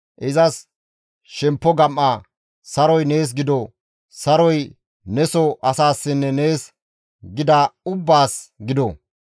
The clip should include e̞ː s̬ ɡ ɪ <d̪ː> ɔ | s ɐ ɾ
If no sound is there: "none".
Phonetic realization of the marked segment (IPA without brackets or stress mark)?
d̪